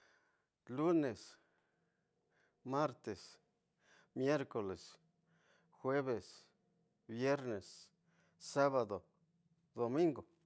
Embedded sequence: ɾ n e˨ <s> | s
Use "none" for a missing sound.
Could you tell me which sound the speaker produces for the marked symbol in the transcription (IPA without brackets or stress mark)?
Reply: s